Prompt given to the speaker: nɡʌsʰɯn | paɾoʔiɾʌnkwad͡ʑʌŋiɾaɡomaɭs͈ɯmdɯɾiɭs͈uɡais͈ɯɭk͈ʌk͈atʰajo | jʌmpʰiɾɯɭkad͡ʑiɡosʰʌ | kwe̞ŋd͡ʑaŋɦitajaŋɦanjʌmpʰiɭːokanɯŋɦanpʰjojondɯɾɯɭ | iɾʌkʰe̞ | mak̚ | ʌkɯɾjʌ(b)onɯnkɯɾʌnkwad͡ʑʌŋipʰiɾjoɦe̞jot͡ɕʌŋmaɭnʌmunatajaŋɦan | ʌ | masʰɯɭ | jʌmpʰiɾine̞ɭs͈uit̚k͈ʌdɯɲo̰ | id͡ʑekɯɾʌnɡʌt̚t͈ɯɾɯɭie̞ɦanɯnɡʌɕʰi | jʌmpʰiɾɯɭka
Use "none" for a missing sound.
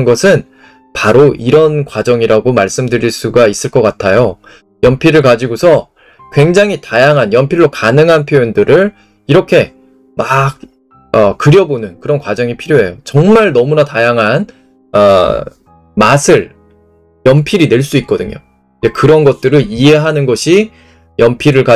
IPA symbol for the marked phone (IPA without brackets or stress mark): b